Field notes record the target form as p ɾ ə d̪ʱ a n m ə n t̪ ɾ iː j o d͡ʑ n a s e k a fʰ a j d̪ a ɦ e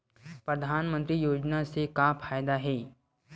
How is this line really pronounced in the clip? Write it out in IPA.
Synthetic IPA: p ɾ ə d̪ʱ a n m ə n t̪ ɾ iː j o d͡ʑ n a s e k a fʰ a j d̪ a ɦ e